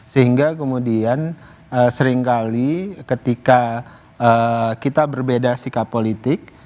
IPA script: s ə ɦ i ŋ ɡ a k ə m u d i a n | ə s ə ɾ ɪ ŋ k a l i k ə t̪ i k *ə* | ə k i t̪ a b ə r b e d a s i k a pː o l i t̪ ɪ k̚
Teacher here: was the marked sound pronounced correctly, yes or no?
no